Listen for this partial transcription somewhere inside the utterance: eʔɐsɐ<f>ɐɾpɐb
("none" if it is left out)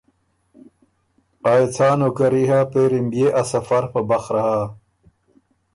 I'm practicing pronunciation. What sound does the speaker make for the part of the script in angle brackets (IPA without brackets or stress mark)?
f